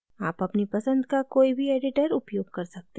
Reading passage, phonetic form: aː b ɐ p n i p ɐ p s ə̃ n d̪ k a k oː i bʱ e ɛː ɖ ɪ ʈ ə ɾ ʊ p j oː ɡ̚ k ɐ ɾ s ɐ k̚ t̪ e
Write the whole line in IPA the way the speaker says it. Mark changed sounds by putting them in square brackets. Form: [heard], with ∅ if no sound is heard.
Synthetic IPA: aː [p] ɐ p n i p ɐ [∅] s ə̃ n d̪ k a k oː i bʱ [i] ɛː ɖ ɪ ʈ ə ɾ ʊ p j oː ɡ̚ k ɐ ɾ s ɐ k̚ t̪ e

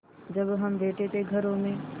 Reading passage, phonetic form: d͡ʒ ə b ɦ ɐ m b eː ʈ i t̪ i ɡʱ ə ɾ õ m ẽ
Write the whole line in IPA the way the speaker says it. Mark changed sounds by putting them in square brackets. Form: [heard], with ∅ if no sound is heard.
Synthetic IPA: d͡ʒ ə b ɦ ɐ m b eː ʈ [e] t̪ [e] ɡʱ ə ɾ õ m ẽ

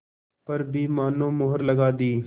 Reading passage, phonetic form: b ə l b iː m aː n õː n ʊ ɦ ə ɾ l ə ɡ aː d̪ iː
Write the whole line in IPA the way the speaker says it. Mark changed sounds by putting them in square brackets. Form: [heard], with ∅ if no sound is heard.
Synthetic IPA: [p] ə [ɾ] b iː m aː n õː [m] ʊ ɦ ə ɾ l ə ɡ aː d̪ iː

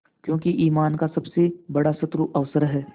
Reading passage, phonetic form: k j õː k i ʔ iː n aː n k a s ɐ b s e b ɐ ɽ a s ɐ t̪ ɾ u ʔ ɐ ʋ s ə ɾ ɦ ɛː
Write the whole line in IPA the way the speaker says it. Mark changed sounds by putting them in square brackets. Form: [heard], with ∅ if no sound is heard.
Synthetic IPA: k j õː k i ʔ iː [m] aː n k a s ɐ b s e b ɐ ɽ a s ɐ t̪ ɾ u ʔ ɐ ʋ s ə ɾ ɦ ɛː

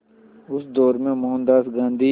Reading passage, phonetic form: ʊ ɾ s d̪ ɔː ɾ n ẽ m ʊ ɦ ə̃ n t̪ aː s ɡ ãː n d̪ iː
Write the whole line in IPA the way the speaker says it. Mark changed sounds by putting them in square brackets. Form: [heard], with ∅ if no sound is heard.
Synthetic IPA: ʊ [∅] s d̪ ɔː ɾ [m] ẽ m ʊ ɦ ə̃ n [d̪] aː s ɡ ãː n d̪ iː

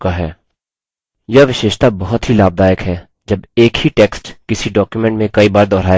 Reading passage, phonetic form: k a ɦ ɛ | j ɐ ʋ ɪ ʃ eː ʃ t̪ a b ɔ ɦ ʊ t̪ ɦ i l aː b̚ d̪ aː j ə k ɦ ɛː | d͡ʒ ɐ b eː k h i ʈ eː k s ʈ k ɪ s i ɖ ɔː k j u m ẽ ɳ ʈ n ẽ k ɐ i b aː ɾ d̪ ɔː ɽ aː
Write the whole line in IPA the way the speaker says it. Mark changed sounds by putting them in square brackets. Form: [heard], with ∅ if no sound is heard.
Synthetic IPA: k a ɦ [ɛː] | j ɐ ʋ ɪ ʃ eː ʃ t̪ a b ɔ ɦ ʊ t̪ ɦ i l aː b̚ d̪ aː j ə k ɦ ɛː | d͡ʒ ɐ b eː k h i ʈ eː k s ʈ k ɪ s i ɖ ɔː k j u m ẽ ɳ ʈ [m] ẽ k ɐ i b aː ɾ d̪ ɔː [ɾ] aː

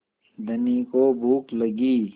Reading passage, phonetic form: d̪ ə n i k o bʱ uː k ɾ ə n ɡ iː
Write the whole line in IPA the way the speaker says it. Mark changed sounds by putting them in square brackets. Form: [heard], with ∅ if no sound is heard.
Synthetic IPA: d̪ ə n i k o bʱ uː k [l] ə [∅] ɡ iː

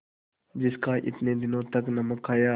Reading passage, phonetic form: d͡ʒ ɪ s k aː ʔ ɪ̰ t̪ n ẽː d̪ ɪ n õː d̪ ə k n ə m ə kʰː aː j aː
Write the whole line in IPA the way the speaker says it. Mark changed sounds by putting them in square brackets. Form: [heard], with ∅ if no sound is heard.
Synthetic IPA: d͡ʒ ɪ s k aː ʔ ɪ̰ t̪ n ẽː d̪ ɪ n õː [t̪] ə k n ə m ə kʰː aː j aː

